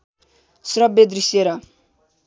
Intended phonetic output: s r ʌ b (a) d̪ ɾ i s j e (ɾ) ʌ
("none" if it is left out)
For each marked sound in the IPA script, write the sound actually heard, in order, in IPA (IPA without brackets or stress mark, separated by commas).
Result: e, ɾ